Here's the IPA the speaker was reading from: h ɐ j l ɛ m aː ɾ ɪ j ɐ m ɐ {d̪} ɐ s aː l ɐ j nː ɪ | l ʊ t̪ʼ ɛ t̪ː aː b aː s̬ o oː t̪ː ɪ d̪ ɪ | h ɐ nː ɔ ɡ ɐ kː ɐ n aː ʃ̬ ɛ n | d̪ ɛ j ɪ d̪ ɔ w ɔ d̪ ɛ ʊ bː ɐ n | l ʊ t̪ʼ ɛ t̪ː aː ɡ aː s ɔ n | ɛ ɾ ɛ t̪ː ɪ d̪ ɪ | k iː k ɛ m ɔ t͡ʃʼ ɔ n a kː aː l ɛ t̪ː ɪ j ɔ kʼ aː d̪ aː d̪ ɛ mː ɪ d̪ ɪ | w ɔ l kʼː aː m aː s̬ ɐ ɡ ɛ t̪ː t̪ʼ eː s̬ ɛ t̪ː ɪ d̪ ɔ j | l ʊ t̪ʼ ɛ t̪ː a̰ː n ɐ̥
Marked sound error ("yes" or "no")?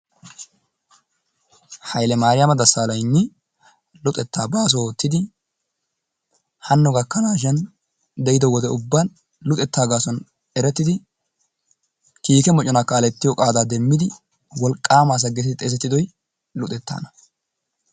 no